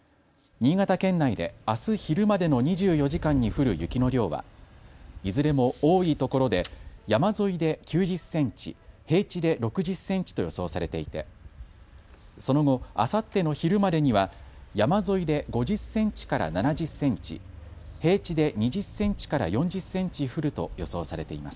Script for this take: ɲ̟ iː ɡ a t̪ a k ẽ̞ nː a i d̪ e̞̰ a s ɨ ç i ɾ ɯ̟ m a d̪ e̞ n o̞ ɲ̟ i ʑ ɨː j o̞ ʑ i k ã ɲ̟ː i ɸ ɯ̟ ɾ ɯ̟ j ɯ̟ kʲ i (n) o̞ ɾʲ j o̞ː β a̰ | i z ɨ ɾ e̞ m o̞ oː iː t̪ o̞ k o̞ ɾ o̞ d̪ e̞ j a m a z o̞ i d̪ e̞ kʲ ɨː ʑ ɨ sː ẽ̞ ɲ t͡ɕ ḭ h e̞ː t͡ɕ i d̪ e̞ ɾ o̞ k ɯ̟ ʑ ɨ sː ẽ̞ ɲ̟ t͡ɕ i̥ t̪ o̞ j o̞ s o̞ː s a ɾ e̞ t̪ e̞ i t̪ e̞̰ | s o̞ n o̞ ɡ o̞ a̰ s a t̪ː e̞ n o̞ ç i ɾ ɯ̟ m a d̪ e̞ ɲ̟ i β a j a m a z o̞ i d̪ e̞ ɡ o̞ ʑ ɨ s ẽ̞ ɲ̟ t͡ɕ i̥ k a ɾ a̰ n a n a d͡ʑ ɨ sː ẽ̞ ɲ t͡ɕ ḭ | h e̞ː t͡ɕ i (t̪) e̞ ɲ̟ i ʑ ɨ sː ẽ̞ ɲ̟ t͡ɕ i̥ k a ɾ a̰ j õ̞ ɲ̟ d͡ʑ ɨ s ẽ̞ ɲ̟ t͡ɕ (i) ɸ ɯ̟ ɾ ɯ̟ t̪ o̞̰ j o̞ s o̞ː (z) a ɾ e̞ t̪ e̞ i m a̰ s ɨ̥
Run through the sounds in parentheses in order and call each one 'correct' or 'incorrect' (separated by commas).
correct, incorrect, correct, incorrect